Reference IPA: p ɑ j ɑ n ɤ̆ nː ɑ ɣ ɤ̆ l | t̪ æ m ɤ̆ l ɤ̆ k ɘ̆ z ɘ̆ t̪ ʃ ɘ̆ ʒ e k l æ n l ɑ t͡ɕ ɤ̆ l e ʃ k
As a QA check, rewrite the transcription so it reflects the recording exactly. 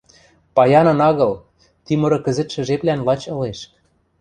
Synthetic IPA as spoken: p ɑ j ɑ n ɤ̆ n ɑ ɣ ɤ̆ l | t̪ i m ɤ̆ ɾ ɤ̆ k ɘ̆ z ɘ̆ t̪ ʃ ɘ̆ ʒ e p l æ n l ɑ t͡ɕ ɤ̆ l e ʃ k